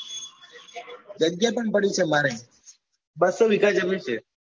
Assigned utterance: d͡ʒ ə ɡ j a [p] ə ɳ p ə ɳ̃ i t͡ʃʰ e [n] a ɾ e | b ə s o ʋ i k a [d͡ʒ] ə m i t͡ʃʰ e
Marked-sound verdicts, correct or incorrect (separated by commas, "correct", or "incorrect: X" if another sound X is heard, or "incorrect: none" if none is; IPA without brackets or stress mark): correct, incorrect: m, correct